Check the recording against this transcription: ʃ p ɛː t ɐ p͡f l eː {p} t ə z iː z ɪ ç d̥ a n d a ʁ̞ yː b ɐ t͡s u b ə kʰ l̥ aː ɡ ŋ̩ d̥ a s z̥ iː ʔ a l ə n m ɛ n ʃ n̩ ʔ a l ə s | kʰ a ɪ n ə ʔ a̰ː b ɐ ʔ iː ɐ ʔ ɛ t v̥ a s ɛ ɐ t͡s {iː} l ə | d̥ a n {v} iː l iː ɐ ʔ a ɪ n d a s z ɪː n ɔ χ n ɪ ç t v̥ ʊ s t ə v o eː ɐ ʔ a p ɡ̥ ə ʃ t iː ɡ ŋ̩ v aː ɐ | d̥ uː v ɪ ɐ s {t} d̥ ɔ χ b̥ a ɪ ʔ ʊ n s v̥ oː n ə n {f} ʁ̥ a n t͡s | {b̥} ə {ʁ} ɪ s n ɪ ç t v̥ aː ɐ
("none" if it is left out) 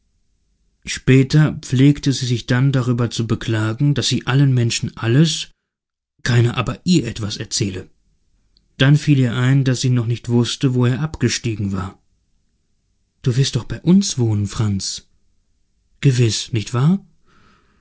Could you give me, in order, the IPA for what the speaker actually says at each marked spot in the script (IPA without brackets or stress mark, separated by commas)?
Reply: k, ɛː, f, t, f, ɡ̥, v